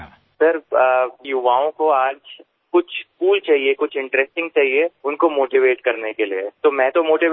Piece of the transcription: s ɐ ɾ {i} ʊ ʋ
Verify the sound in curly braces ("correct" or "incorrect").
incorrect